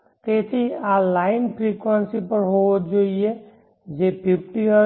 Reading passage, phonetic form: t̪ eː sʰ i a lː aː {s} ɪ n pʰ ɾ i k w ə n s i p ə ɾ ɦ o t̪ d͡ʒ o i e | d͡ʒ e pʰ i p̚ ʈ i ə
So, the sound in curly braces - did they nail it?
no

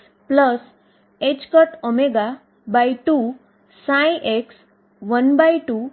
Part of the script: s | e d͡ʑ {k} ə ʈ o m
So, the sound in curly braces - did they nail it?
yes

